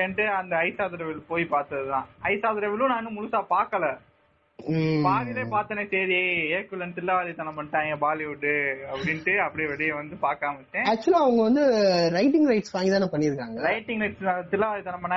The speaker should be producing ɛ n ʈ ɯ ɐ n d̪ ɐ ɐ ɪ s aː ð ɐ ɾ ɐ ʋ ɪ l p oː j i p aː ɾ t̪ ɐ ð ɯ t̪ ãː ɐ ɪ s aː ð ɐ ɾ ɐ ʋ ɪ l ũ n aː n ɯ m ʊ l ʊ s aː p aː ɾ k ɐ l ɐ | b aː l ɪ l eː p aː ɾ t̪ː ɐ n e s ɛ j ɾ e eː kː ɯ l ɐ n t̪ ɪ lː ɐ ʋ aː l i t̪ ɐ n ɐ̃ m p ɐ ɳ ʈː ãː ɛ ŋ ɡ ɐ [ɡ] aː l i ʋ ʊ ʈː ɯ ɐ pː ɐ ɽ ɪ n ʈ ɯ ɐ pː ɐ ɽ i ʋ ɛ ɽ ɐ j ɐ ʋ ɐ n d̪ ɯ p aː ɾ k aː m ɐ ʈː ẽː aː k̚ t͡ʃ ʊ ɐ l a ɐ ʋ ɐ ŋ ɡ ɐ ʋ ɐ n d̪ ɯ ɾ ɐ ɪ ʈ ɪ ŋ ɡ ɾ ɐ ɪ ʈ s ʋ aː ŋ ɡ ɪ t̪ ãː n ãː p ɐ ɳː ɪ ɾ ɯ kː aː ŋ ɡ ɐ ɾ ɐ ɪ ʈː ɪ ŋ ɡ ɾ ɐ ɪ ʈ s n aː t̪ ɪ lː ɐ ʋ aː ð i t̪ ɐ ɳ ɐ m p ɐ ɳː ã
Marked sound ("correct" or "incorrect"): incorrect